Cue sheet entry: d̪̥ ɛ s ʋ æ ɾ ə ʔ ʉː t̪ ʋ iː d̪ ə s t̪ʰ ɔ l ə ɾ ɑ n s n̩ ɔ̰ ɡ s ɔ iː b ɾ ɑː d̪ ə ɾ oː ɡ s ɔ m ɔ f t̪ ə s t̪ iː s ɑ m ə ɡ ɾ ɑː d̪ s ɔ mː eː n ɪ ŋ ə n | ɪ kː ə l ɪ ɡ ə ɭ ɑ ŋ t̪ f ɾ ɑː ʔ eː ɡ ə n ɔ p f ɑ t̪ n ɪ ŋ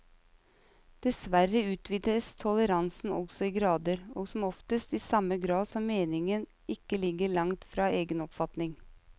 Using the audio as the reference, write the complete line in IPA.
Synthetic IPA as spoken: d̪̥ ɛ s ʋ æ ɾ ə ʉː t̪ ʋ iː d̪ ə s t̪ʰ ɔ l ə ɾ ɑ n s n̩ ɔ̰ ɡ s ɔ iː ɡ ɾ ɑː d̪ ə ɾ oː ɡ s ɔ m ɔ f t̪ ə s t̪ iː s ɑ m ə ɡ ɾ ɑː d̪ s ɔ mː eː n ɪ ŋ ə n | ɪ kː ə l ɪ ɡ ə ɭ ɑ ŋ t̪ f ɾ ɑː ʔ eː ɡ ə n ɔ p f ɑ t̪ n ɪ ŋ

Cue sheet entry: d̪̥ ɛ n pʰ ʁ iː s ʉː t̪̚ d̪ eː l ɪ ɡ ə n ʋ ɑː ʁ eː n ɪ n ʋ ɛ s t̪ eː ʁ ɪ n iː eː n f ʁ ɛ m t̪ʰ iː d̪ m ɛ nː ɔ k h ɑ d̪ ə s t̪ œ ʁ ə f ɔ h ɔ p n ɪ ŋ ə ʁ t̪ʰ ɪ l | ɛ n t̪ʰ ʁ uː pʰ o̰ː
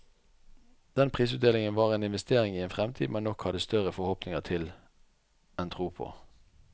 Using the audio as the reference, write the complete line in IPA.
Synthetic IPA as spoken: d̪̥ ɛ n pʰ ʁ iː s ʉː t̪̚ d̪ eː l ɪ ŋ ə n ʋ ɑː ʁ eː n ɪ n ʋ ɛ s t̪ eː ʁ ɪ ŋ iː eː n f ʁ ɛ m t̪ʰ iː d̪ m ɛ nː ɔ k h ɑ d̪ ə s t̪ œ ʁ ə f ɔ h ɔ p n ɪ ŋ ə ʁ t̪ʰ ɪ l | ɛ n t̪ʰ ʁ uː pʰ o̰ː

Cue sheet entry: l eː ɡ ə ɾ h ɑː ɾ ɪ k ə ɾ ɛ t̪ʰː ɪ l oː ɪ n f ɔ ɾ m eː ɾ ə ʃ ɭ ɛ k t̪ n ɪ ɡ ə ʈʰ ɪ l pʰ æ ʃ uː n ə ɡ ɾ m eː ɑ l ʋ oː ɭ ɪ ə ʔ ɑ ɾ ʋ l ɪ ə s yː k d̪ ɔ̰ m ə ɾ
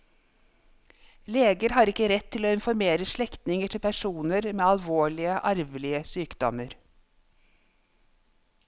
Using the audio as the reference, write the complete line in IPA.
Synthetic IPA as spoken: l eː ɡ ə ɾ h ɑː ɾ ɪ k ə ɾ ɛ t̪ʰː ɪ l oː ɪ n f ɔ ɾ m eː ɾ ə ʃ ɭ ɛ k t̪ n ɪ ŋ ə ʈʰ ɪ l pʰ æ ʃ uː n ə ɾ m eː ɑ l ʋ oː ɭ ɪ ə ʔ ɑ ɾ ʋ l ɪ ə s yː k d̪ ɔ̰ m ə ɾ

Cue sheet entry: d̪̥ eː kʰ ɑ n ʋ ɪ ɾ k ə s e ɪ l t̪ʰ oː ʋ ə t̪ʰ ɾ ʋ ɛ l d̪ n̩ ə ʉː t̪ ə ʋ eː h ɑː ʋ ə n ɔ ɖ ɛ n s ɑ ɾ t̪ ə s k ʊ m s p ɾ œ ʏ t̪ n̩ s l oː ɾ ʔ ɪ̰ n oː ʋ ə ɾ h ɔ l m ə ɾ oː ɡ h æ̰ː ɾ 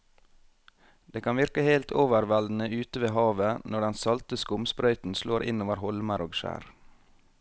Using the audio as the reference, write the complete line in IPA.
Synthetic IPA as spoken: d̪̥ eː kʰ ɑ n ʋ ɪ ɾ k ə h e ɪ l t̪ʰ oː ʋ ə ɾ ʋ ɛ l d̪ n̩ ə ʉː t̪ ə ʋ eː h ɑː ʋ ə n ɔ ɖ ɛ n s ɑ l t̪ ə s k ʊ m s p ɾ œ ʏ t̪ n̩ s l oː ɾ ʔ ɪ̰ n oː ʋ ə ɾ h ɔ l m ə ɾ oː ɡ ʃ æ̰ː ɾ

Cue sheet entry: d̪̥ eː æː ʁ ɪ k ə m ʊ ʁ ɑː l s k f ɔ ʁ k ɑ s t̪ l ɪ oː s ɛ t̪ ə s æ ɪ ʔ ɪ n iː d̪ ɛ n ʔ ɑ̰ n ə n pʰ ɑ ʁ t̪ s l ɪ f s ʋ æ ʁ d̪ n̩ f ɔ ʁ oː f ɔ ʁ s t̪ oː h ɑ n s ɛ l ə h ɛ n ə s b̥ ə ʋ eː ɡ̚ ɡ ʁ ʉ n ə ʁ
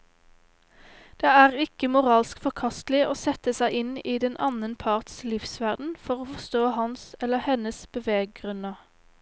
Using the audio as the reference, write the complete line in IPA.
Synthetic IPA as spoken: d̪̥ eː æː ʁ ɪ k ə m ʊ ʁ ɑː l s k f ɔ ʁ kʰ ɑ s t̪ l ɪ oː s ɛ t̪ ə s æ ɪ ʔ ɪ n iː d̪ ɛ n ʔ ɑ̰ n ə n pʰ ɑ ʁ t̪ s l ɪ f s ʋ æ ʁ d̪ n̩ f ɔ ʁ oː f ɔ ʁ s t̪ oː h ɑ n s ɛ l ə h ɛ n ə s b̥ ə ʋ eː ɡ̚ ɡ ʁ ʉ n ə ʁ

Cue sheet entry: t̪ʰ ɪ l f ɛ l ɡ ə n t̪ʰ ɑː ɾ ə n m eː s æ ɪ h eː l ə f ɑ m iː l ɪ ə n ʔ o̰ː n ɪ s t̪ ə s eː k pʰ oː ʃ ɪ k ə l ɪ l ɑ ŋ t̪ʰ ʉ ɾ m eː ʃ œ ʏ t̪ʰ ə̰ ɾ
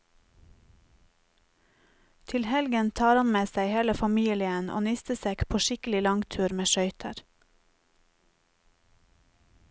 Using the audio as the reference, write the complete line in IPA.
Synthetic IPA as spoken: t̪ʰ ɪ l h ɛ l ɡ ə n t̪ʰ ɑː ɾ ɑ n m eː s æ ɪ h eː l ə f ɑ m iː l ɪ ə n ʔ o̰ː n ɪ s t̪ ə s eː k pʰ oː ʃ ɪ k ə l ɪ l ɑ ŋ t̪ʰ ʉː ɾ m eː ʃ œ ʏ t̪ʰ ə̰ ɾ

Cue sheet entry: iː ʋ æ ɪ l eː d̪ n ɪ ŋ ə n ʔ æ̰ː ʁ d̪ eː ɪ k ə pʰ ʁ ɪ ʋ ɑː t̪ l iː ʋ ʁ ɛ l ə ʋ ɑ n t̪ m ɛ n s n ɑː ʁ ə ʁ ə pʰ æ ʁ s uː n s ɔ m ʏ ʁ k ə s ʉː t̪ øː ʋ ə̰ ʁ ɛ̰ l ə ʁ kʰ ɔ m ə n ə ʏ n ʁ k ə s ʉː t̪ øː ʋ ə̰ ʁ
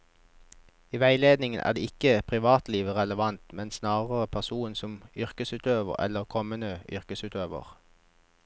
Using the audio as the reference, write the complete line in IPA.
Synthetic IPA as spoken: iː ʋ æ ɪ l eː d̪ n ɪ ŋ ə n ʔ æ̰ː ʁ d̪ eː ɪ k ə pʰ ʁ ɪ ʋ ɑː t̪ l iː ʋ ʁ ɛ l ə ʋ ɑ n t̪ m ɛ n s n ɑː ʁ ə ʁ ə pʰ æ ʁ s uː n s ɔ m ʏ ʁ k ə s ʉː t̪ øː ʋ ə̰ ʁ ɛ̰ l ə ʁ kʰ ɔ m ə n ə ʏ ʁ k ə s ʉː t̪ øː ʋ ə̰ ʁ

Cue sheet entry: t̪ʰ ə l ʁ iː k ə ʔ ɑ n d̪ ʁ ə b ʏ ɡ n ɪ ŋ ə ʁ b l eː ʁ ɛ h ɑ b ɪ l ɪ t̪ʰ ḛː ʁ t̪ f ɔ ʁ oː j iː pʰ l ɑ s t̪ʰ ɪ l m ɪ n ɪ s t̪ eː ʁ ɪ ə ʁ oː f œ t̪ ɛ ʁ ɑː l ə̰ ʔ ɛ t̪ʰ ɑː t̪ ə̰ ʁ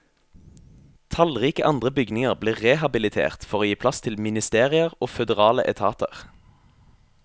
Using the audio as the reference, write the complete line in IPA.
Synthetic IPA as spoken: t̪ʰ ɑ l ʁ iː k ə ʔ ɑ n d̪ ʁ ə b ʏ ɡ n ɪ ŋ ə ʁ b l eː ʁ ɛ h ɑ b ɪ l ɪ t̪ʰ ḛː ʁ t̪ f ɔ ʁ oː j iː pʰ l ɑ s t̪ʰ ɪ l m ɪ n ɪ s t̪ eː ʁ ɪ ə ʁ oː f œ d̪ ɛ ʁ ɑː l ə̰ ʔ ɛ t̪ʰ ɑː t̪ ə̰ ʁ

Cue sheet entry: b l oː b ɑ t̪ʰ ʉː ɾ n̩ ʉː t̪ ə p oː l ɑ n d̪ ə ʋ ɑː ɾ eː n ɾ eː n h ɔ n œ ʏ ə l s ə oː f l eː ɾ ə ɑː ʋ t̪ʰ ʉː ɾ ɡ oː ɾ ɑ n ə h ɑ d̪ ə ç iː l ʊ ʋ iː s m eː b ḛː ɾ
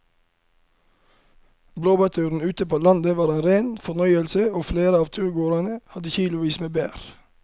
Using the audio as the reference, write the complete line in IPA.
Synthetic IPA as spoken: b l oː b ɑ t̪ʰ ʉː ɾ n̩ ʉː t̪ ə p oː l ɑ n d̪ ə ʋ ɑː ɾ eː n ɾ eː n f ɔ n œ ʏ ə l s ə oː f l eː ɾ ə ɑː ʋ t̪ʰ ʉː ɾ ɡ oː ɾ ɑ n ə h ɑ d̪ ə ç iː l ʊ ʋ iː s m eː b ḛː ɾ

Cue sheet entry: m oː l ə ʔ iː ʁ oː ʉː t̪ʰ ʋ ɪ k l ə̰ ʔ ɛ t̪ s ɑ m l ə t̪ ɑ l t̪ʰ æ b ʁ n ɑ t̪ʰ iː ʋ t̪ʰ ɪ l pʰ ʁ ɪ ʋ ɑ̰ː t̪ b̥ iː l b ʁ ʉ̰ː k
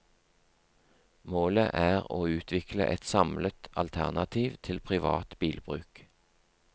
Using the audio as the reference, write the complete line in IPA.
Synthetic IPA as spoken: m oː l ə ʔ æː ʁ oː ʉː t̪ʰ ʋ ɪ k l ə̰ ʔ ɛ t̪ s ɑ m l ə t̪ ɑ l t̪ʰ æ ʁ n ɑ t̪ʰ iː ʋ t̪ʰ ɪ l pʰ ʁ ɪ ʋ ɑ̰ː t̪ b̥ iː l b ʁ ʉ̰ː k

